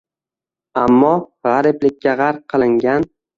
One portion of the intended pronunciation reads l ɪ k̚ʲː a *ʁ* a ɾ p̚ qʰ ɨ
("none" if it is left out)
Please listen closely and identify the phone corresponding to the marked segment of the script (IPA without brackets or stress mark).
ʁ